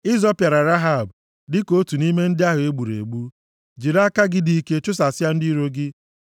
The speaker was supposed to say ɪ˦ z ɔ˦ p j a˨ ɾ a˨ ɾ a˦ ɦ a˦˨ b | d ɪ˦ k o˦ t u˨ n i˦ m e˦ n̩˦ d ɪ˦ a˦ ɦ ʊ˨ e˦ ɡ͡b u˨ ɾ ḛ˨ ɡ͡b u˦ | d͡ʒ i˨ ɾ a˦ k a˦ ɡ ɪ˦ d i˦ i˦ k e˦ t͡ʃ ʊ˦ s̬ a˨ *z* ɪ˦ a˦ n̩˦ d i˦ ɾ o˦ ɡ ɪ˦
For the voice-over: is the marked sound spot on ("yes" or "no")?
no